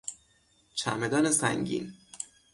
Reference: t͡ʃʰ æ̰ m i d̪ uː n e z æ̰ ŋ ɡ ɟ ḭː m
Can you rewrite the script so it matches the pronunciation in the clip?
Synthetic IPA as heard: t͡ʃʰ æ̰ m e d̪ ɒː n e s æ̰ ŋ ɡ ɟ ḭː n